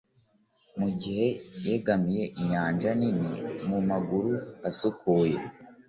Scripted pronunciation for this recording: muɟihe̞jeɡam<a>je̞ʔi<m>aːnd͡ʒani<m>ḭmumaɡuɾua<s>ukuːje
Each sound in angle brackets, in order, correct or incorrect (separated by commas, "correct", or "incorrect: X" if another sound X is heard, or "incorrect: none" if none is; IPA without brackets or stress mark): incorrect: i, incorrect: ɲ, incorrect: n, correct